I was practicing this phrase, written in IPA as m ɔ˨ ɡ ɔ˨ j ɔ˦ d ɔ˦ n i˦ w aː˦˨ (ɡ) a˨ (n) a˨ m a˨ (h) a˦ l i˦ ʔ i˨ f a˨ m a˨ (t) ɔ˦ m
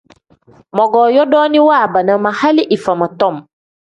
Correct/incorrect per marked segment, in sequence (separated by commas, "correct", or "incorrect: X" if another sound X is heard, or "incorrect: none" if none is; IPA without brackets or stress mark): incorrect: b, correct, correct, correct